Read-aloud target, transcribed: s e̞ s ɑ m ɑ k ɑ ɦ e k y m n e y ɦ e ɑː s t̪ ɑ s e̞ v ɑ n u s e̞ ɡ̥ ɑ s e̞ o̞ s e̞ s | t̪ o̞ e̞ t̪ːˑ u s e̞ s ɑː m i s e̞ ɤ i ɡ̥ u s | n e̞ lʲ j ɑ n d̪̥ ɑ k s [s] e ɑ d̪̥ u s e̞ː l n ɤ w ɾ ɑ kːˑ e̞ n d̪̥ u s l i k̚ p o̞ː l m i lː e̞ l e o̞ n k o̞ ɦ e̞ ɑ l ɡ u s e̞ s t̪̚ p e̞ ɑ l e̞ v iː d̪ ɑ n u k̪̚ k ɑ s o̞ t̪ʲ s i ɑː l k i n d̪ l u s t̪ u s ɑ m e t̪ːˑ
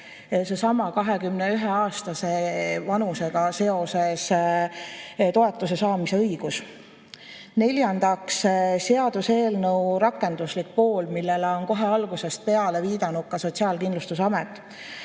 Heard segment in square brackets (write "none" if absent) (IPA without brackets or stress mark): s